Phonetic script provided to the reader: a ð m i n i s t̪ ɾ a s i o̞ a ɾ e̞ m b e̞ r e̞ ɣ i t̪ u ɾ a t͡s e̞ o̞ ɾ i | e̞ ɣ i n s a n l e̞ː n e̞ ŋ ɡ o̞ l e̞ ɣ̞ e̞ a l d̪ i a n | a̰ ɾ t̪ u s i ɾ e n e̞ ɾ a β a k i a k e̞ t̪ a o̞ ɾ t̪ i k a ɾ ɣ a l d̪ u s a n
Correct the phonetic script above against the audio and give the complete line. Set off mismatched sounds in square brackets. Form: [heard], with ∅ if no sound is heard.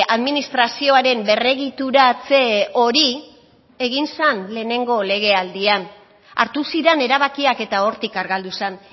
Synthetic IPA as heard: a ð m i n i s t̪ ɾ a s i o̞ a ɾ e̞ m b e̞ r e̞ ɣ i t̪ u ɾ a t͡s e̞ o̞ ɾ i | e̞ ɣ i n s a n l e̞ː n e̞ ŋ ɡ o̞ l e̞ ɣ̞ e̞ a l d̪ i a n | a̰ ɾ t̪ u s i ɾ e n e̞ ɾ a β a k i a k e̞ t̪ a o̞ ɾ t̪ i k a ɾ ɣ a l d̪ u s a n